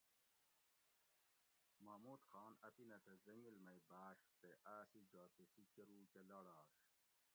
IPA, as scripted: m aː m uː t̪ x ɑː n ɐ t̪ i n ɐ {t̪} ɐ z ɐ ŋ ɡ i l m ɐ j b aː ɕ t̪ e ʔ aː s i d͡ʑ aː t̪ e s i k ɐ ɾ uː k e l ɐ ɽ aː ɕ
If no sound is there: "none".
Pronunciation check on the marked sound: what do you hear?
t̪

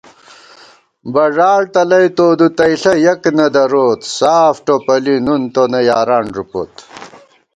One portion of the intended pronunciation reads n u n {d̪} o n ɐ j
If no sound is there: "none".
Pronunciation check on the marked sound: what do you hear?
t̪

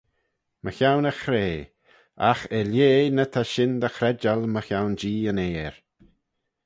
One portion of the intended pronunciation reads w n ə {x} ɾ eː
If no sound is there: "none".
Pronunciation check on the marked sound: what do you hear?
x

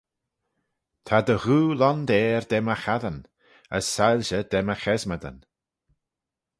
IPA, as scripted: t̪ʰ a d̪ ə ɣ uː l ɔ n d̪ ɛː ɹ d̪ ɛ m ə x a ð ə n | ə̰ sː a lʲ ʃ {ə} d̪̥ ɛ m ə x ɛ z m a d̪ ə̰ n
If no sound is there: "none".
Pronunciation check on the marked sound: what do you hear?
ə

